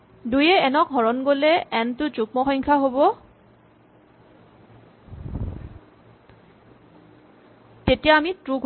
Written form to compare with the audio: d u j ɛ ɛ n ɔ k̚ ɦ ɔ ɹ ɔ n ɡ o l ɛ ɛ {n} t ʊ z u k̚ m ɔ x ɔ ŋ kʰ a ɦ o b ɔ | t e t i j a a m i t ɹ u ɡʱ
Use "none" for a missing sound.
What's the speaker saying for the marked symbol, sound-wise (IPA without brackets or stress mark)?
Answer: n